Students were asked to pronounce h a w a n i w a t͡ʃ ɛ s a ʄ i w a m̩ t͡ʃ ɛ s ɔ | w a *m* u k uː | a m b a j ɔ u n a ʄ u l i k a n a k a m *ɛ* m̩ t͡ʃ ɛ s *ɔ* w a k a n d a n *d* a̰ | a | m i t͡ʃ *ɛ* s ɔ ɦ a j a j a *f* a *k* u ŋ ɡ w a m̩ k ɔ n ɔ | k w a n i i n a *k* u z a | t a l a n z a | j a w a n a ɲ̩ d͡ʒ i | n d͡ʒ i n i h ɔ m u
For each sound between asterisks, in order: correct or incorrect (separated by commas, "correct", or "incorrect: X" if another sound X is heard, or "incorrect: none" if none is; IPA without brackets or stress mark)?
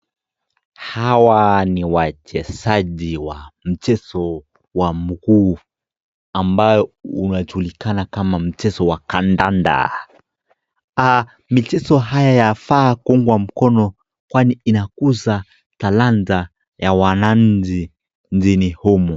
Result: correct, incorrect: a, correct, correct, correct, correct, correct, correct